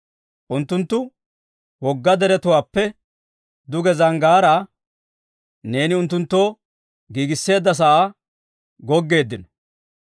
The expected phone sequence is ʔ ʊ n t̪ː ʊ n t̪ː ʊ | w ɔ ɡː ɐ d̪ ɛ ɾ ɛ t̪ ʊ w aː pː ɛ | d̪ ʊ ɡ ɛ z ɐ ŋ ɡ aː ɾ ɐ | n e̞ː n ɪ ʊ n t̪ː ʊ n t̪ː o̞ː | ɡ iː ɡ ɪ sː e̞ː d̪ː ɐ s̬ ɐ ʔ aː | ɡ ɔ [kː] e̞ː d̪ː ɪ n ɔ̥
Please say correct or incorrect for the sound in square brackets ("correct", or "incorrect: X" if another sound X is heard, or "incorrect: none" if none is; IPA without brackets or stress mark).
incorrect: ɡː